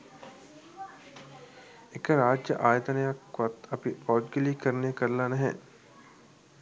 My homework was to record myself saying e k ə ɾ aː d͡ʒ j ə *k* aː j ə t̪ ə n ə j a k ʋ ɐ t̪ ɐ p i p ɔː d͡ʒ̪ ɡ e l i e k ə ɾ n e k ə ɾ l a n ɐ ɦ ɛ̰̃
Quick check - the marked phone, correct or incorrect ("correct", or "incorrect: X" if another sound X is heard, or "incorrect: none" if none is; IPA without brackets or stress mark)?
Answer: incorrect: ʔ